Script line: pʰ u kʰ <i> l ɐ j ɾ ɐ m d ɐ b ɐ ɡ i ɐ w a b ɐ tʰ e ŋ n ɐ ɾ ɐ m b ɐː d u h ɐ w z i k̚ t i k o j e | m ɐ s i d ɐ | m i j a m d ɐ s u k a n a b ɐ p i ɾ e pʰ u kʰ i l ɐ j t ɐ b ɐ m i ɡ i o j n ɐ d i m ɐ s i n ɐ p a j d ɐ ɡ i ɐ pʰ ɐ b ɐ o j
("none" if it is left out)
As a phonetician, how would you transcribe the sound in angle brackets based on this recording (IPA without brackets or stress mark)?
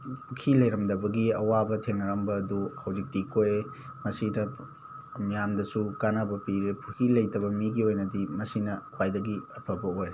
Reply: i